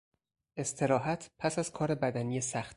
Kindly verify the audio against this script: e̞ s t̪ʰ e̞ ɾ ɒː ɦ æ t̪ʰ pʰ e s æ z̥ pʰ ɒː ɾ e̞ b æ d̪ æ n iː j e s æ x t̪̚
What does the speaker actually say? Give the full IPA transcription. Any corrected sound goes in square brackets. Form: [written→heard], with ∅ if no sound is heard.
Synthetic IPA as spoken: e̞ s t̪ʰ e̞ ɾ ɒː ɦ æ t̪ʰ pʰ [e→æ] s æ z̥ [pʰ→kʰ] ɒː ɾ e̞ b æ d̪ æ n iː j e s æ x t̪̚

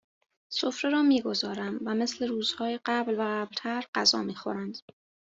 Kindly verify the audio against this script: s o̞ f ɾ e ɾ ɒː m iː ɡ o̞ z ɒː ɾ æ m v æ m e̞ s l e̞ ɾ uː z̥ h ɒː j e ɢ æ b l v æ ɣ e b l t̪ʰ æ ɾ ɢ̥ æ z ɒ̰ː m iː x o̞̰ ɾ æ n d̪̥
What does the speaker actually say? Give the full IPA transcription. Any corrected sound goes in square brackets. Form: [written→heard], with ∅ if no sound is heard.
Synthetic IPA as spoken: s o̞ f ɾ e ɾ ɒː m iː ɡ o̞ z ɒː ɾ æ m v æ m e̞ s l e̞ ɾ uː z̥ h ɒː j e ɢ æ b l v æ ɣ [e→æ] b l t̪ʰ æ ɾ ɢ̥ æ z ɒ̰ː m iː x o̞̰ ɾ æ n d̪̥

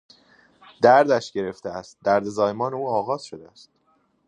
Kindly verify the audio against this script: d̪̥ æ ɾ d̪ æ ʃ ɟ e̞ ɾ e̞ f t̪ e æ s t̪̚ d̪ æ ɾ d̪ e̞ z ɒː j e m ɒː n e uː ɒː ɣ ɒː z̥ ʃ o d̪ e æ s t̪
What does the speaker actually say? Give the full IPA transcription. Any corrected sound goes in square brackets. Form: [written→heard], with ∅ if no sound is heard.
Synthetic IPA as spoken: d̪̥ æ ɾ d̪ æ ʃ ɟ e̞ ɾ e̞ f t̪ e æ s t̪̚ d̪ æ ɾ d̪ e̞ z ɒː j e m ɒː n e uː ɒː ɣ ɒː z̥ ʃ o d̪ e æ s t̪

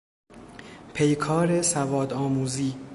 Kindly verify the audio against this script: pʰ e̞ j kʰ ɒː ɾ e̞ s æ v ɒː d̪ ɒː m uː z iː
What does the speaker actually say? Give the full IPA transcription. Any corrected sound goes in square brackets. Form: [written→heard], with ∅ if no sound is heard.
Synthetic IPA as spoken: pʰ e̞ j kʰ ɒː ɾ e̞ s æ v ɒː d̪ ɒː m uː z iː

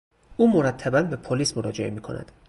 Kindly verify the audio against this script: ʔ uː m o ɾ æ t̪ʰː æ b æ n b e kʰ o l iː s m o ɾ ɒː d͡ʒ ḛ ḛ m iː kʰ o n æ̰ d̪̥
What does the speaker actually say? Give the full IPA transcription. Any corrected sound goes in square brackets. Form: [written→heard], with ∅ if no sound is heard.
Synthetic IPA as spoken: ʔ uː m o ɾ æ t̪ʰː æ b æ n b e [kʰ→pʰ] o l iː s m o ɾ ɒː d͡ʒ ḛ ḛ m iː kʰ o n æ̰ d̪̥

